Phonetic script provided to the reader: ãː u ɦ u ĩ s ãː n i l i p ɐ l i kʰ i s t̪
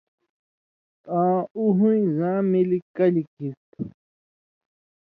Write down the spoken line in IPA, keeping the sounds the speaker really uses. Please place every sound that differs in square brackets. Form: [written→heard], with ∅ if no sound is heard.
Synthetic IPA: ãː u ɦ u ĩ [s→z] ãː [n→m] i l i [p→k] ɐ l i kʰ i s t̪